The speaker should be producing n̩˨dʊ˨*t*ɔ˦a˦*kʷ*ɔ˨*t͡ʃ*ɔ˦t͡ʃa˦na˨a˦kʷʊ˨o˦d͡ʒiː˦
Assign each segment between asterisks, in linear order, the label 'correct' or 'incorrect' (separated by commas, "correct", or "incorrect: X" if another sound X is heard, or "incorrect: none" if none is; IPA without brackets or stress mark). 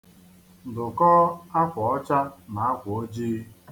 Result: incorrect: k, correct, incorrect: none